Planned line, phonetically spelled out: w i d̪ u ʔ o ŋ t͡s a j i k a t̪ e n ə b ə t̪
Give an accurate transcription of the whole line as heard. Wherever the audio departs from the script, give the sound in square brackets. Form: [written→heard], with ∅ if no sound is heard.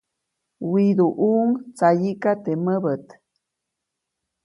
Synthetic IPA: w i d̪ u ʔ [o→u] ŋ t͡s a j i k a t̪ e [n→m] ə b ə t̪